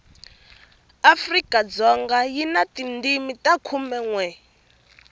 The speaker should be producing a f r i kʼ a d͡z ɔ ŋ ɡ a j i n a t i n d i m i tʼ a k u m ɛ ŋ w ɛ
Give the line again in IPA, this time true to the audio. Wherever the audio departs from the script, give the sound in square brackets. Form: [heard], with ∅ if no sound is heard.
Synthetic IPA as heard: a f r i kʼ a d͡z ɔ ŋ ɡ a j i n a t i n d i m i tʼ a [kʰ] u m ɛ ŋ w ɛ